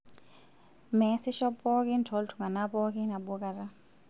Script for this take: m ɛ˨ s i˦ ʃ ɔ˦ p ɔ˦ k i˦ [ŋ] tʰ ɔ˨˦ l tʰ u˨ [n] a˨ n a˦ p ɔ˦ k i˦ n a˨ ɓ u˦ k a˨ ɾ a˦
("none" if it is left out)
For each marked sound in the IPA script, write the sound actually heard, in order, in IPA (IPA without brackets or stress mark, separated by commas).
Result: n, ŋ